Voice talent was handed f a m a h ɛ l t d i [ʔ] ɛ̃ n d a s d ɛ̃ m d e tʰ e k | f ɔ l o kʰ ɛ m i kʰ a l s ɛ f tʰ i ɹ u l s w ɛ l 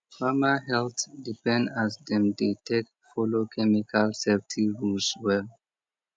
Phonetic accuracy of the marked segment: incorrect: p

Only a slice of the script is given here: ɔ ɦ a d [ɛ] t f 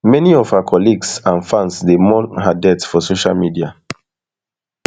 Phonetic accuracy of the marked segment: correct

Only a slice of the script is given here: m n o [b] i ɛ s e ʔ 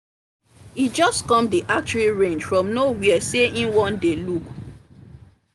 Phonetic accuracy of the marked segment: incorrect: w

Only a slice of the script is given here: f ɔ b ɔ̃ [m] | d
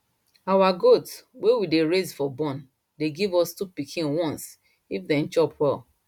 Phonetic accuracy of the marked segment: incorrect: n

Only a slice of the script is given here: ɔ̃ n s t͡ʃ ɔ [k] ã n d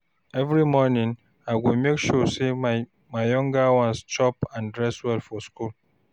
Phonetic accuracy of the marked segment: incorrect: p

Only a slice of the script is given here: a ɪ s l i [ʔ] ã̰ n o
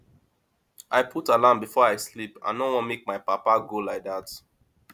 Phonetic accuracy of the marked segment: incorrect: p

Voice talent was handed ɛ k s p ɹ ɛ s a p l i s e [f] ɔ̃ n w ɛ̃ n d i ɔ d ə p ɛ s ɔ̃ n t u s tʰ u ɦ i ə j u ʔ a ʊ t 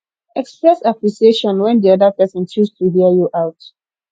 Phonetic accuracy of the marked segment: incorrect: ʃ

